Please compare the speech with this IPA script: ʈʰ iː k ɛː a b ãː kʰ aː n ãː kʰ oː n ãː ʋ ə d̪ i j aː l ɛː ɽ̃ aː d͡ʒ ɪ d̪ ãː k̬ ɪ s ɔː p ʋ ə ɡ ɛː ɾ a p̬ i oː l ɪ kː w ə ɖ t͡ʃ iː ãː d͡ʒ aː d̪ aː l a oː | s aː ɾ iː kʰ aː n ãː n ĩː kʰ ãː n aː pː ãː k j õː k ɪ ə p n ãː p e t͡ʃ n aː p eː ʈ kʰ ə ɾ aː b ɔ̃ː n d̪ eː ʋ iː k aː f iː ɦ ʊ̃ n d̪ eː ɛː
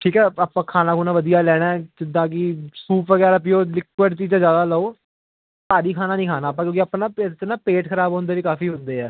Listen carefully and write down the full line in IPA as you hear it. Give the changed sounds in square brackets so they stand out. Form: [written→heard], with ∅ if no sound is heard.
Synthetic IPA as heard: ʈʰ iː k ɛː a [b→p] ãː kʰ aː n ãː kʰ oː n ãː ʋ ə d̪ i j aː l ɛː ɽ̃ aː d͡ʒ ɪ d̪ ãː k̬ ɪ s [ɔː→uː] p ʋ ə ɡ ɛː ɾ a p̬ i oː l ɪ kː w ə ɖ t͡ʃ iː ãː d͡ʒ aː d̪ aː l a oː | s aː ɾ iː kʰ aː n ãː n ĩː kʰ [ãː→aː] n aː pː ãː k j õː k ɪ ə p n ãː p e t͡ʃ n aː p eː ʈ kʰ ə ɾ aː b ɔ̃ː n d̪ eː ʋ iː k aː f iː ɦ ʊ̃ n d̪ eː ɛː